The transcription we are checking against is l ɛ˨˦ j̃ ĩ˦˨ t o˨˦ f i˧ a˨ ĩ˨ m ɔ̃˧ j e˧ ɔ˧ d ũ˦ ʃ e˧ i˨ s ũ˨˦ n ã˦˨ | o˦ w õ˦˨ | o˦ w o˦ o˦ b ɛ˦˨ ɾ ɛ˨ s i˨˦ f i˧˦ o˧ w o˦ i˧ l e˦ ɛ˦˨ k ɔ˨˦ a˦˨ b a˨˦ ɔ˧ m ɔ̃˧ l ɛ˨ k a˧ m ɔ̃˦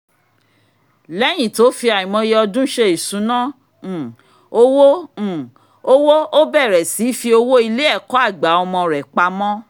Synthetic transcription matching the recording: l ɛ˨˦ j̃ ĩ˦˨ t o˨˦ f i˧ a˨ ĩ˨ m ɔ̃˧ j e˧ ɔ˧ d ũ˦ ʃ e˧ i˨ s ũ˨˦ n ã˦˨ | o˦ w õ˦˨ | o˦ w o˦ o˦ b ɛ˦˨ ɾ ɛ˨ s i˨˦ f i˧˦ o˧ w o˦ i˧ l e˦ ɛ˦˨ k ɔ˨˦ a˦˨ ɡ͡b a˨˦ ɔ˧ m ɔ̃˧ ɾ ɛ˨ k͡p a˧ m ɔ̃˦